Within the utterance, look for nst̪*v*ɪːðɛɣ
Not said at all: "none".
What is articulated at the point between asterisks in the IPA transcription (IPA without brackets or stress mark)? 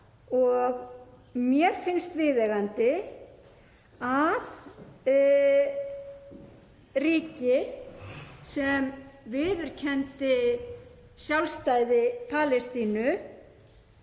v